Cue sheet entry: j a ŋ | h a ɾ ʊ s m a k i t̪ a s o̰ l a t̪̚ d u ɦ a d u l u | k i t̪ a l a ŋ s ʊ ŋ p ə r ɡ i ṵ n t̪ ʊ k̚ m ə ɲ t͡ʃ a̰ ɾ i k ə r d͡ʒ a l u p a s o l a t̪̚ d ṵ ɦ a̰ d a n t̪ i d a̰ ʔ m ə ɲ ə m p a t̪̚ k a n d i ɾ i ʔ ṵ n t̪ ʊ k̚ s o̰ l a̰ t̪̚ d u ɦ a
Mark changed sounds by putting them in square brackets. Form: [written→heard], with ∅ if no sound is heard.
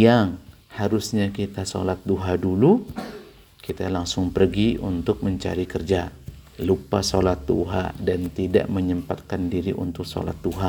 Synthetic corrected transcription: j a ŋ | h a ɾ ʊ s [m→ɲ] a k i t̪ a s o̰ l a t̪̚ d u ɦ a d u l u | k i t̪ a l a ŋ s ʊ ŋ p ə r ɡ i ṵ n t̪ ʊ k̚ m ə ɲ t͡ʃ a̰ ɾ i k ə r d͡ʒ a l u p a s o l a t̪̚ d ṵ ɦ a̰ d a n t̪ i d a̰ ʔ m ə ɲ ə m p a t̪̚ k a n d i ɾ i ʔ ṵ n t̪ ʊ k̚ s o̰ l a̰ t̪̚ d u ɦ a